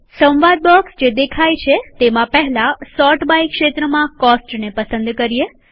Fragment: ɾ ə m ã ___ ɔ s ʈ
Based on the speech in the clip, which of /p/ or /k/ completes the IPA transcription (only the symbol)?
k